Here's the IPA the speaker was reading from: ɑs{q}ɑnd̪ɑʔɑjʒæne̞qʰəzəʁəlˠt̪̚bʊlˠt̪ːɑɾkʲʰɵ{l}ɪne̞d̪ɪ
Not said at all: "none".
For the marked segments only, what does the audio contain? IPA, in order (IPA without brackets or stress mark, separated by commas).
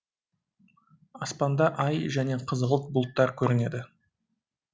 p, ɾ